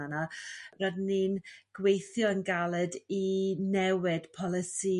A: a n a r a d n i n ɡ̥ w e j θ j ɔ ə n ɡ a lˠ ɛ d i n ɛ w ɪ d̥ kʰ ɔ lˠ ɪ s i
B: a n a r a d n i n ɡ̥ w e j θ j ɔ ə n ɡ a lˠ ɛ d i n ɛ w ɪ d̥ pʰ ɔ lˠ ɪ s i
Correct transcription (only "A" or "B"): B